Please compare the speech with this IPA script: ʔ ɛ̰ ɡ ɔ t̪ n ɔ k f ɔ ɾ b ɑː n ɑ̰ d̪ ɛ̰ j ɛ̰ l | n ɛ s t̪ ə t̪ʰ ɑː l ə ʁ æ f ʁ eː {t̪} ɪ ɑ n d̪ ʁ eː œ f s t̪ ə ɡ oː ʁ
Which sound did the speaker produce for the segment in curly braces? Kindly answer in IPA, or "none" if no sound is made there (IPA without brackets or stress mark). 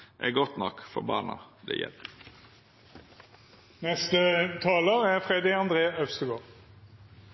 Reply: d̪